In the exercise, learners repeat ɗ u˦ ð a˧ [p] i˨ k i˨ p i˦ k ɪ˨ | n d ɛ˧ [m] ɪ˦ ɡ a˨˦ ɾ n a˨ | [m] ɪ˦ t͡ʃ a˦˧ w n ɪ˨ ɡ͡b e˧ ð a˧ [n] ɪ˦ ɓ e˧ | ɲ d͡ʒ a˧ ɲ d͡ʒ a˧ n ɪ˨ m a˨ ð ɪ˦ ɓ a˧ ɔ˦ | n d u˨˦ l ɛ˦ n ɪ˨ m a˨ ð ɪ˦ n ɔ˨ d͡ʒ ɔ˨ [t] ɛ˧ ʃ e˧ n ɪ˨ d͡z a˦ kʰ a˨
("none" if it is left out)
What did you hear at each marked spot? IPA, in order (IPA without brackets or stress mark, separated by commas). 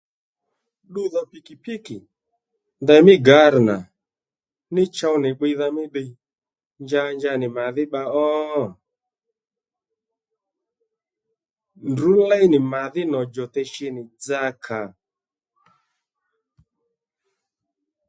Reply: p, m, n, m, t